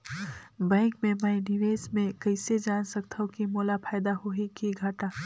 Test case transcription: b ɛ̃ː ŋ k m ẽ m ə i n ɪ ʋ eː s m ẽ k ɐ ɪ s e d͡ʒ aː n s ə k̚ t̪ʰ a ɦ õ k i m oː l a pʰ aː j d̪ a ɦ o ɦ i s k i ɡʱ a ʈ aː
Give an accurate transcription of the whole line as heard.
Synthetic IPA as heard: b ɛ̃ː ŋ k m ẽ m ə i n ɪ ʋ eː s m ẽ k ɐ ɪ s e d͡ʒ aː n s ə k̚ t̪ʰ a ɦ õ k i m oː l a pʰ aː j d̪ a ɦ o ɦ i k i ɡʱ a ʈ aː